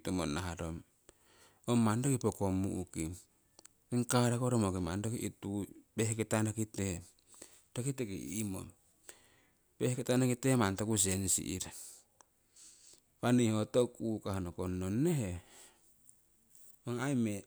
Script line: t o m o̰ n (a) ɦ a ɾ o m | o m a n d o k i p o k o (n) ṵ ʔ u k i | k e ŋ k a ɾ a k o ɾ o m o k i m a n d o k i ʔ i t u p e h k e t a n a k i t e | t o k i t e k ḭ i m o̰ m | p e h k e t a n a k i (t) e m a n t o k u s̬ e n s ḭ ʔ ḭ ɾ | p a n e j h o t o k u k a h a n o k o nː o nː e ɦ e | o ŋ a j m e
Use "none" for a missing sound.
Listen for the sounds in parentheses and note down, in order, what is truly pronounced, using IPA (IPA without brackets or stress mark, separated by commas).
a, m, t